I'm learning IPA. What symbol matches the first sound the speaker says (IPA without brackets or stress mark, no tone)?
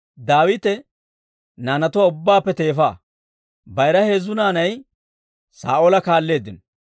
d̪